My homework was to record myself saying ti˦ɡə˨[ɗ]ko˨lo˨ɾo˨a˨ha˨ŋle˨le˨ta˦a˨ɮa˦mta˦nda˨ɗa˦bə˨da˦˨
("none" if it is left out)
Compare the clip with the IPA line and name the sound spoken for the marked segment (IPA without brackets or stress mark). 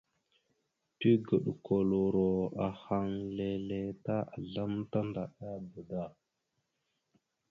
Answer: ɗ